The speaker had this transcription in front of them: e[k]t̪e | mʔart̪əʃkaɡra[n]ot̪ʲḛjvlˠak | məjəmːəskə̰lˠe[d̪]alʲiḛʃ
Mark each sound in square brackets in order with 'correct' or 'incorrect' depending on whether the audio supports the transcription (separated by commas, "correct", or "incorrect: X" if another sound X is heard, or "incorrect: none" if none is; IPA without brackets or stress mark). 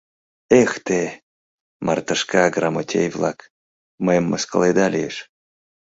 incorrect: x, incorrect: m, correct